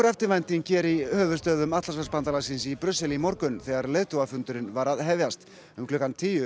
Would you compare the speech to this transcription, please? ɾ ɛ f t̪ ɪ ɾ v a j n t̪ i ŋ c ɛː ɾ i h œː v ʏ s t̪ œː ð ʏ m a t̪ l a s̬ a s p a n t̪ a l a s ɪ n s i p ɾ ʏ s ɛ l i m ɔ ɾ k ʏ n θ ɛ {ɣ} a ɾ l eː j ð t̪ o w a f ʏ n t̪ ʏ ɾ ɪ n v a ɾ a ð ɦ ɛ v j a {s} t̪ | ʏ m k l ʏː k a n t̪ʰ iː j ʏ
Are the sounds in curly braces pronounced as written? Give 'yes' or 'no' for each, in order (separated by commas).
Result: yes, yes